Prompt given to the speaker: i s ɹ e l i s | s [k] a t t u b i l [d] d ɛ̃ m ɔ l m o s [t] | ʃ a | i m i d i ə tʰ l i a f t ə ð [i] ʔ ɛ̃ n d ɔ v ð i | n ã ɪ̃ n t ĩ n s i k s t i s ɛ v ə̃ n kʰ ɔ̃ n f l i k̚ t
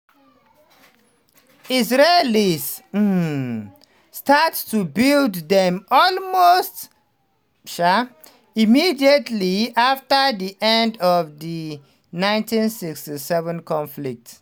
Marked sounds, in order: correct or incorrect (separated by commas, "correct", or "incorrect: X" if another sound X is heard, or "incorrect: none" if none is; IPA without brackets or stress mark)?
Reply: incorrect: t, correct, correct, correct